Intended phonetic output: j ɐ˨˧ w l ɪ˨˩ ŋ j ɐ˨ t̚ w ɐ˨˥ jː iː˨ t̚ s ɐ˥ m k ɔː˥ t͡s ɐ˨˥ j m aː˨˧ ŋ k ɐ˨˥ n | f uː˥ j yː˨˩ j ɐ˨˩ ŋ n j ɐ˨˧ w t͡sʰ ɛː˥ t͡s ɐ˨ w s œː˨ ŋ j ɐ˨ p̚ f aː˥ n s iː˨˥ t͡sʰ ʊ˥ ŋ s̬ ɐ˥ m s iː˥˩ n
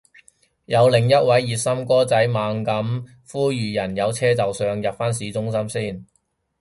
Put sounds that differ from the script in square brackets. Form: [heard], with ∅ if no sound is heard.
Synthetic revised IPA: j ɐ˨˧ w l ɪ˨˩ ŋ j [ɐ˥] t̚ w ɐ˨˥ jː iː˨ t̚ s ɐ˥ m k ɔː˥ t͡s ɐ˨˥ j m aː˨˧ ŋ k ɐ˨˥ [m] | f uː˥ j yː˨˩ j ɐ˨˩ [∅] n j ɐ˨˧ w t͡sʰ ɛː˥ t͡s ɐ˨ w s œː˨ ŋ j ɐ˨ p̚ f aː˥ n s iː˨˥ [t͡s] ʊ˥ ŋ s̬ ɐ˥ m s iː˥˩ n